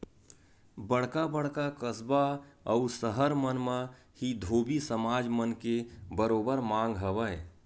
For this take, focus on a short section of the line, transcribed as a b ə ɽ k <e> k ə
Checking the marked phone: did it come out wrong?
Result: yes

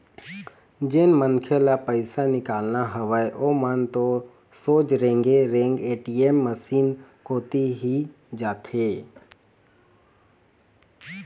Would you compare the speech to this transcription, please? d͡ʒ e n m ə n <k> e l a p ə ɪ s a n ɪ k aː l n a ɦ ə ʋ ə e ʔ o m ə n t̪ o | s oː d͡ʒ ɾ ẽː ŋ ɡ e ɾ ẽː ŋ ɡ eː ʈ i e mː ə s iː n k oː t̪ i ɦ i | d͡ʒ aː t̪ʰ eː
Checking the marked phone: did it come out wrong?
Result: yes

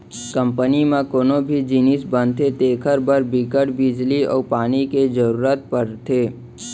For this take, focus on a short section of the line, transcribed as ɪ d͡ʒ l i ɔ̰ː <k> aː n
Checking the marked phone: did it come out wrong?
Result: yes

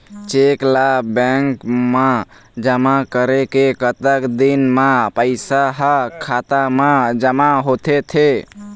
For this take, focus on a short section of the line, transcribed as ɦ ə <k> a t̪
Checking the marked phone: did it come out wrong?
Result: yes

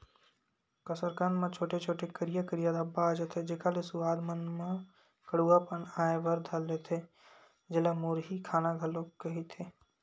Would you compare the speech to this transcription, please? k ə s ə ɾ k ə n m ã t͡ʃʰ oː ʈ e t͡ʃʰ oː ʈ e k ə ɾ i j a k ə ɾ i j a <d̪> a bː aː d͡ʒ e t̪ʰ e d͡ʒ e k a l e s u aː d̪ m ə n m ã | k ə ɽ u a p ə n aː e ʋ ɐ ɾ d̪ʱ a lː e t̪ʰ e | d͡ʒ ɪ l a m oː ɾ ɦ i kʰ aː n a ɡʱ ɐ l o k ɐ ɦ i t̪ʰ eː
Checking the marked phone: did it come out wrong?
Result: no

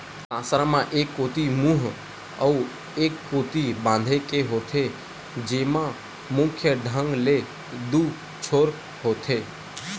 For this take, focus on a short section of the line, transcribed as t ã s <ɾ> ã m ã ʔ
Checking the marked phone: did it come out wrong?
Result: no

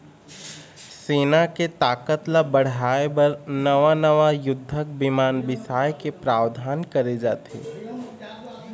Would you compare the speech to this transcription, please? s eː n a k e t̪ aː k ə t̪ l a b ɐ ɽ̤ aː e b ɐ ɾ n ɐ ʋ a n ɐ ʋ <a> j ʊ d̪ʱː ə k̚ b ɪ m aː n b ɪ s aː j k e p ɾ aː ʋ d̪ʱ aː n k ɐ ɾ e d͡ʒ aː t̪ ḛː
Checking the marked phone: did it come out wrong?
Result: no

